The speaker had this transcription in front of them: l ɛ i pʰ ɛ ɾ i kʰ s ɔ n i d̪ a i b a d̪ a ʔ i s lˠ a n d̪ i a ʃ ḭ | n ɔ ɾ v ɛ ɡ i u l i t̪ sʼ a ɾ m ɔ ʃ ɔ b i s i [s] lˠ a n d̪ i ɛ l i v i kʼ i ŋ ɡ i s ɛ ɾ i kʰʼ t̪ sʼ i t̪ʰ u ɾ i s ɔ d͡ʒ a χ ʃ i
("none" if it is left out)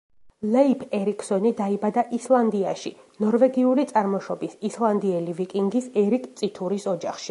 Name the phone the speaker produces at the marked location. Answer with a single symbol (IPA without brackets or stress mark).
s